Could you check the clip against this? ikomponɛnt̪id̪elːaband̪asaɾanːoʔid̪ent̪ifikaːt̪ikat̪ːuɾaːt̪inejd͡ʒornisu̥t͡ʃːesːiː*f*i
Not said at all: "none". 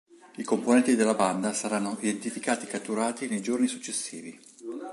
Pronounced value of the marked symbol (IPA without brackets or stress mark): v